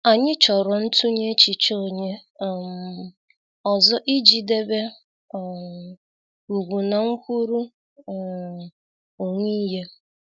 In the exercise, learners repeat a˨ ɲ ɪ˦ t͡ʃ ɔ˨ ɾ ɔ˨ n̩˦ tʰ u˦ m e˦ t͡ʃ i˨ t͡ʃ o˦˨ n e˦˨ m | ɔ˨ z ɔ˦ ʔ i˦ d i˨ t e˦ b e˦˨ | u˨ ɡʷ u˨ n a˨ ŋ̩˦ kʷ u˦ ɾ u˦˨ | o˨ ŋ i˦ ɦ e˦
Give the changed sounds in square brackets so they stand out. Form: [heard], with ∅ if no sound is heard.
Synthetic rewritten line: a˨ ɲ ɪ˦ t͡ʃ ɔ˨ ɾ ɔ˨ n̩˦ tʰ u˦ [ɲ] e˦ t͡ʃ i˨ t͡ʃ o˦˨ [ɲ] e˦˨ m | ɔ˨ z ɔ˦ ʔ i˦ [d͡ʒ] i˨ [d] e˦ b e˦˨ | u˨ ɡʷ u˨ n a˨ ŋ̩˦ kʷ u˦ ɾ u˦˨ | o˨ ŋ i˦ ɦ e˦

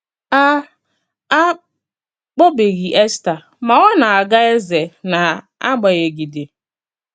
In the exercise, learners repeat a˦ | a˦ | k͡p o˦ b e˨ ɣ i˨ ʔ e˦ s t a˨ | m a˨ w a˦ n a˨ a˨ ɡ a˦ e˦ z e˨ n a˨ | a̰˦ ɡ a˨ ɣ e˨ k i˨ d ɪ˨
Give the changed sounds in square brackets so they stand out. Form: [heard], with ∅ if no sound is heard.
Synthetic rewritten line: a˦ | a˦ | k͡p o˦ b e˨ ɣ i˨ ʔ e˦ s t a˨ | m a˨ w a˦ n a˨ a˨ ɡ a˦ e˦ z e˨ n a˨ | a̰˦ [ɡ͡b] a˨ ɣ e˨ [ɡ] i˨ d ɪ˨

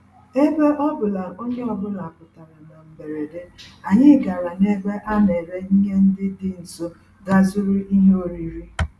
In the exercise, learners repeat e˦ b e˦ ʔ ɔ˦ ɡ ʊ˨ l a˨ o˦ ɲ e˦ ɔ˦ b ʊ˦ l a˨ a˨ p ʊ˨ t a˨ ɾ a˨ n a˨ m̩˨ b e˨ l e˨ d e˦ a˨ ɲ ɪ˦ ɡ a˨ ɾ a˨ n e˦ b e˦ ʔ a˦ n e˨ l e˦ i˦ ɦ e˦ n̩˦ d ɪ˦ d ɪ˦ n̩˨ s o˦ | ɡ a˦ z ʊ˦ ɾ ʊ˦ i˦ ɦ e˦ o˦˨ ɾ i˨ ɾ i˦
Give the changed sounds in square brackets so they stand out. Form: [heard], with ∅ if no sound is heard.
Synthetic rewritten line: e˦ b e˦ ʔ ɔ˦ [b] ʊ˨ l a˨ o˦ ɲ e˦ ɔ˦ b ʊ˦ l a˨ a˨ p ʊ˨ t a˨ ɾ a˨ n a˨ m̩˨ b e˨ [ɾ] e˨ d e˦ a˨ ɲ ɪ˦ ɡ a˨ ɾ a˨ n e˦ b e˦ ʔ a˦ n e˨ [ɾ] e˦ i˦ ɦ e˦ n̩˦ d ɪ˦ d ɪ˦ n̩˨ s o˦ | ɡ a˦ z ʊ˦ ɾ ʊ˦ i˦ ɦ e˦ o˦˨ ɾ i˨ ɾ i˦

